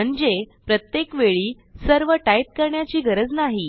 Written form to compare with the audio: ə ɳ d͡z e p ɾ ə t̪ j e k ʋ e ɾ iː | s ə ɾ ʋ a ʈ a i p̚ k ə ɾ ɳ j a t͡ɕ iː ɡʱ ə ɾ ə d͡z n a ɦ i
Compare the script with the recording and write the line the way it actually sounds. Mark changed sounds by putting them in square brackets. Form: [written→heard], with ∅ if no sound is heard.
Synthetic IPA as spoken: ə ɳ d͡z e p ɾ ə t̪ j e k ʋ e [ɾ→ɭ] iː | s ə ɾ ʋ [a→ə] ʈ a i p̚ k ə ɾ ɳ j a t͡ɕ iː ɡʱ ə ɾ ə d͡z n a ɦ i